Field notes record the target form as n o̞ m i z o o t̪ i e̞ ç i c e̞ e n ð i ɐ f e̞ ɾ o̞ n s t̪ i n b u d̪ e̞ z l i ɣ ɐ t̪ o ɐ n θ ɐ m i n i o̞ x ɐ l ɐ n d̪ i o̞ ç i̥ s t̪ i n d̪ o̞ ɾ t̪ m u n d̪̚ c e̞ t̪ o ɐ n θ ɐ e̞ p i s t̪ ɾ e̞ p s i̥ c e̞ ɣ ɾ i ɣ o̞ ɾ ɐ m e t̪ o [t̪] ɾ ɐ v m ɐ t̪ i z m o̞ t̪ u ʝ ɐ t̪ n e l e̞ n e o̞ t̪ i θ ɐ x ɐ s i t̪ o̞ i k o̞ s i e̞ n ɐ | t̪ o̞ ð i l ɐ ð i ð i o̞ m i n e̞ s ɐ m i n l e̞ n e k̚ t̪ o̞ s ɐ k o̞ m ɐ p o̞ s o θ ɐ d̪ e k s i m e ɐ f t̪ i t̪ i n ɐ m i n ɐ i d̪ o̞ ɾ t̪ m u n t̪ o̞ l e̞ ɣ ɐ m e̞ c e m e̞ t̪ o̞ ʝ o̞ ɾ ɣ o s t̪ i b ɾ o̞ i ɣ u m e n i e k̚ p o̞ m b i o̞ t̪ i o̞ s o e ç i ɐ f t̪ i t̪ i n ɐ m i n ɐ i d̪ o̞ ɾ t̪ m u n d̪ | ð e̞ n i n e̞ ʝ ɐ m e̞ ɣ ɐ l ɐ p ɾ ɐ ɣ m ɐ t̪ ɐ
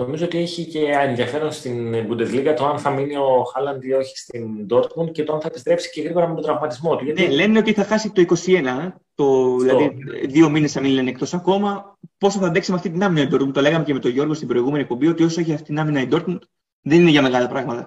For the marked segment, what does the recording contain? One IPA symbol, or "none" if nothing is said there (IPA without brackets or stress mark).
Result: d̪